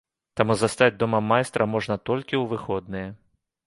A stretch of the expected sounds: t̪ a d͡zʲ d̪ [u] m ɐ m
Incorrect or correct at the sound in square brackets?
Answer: incorrect: ɔ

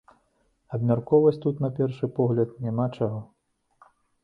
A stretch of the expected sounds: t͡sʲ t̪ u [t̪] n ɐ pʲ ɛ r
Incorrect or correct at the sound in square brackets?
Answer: correct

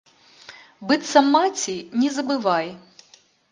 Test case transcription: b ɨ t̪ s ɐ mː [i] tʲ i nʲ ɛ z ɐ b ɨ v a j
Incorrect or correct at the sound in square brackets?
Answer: incorrect: a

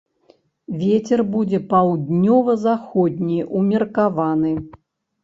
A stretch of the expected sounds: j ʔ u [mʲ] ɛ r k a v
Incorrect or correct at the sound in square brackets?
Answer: correct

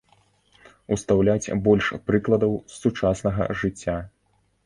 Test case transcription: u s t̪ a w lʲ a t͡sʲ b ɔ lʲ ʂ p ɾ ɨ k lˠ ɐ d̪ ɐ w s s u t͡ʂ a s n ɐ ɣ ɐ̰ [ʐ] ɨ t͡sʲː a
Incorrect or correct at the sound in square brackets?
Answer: correct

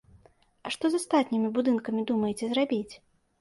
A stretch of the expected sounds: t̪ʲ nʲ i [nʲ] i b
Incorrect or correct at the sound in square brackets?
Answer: incorrect: mʲ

